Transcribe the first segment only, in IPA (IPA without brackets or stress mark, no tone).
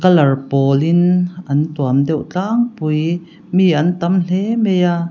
k